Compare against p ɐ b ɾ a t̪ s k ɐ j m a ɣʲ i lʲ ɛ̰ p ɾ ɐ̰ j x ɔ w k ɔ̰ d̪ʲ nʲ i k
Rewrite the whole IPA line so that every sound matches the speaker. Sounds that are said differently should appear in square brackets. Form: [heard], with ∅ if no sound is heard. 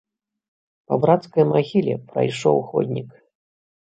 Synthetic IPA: p ɐ b ɾ a t̪ s k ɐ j m a ɣʲ i lʲ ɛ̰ p ɾ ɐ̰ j [ʂ] ɔ w [x] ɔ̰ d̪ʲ nʲ i k